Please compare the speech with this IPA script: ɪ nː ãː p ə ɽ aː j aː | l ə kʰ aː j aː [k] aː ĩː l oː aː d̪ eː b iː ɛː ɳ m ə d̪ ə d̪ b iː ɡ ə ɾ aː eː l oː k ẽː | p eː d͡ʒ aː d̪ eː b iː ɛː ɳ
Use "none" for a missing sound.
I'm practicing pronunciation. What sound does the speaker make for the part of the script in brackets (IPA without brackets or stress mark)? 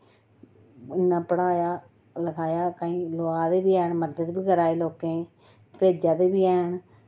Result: k